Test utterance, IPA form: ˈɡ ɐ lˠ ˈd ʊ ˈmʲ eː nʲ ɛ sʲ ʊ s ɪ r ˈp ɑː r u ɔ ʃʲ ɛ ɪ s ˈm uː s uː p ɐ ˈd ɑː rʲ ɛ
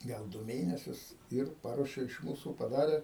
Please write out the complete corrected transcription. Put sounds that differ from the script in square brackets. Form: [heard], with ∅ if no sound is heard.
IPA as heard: ˈɡ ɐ lˠ ˈd ʊ ˈmʲ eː nʲ ɛ sʲ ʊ s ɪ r ˈp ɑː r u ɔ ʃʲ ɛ ɪ [ʃ] ˈm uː s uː p ɐ ˈd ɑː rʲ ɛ